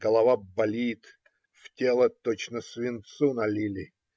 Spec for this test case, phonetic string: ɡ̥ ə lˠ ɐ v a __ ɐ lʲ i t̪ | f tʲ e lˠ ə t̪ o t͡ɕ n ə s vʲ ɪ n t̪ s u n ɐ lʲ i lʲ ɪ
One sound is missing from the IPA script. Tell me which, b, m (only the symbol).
b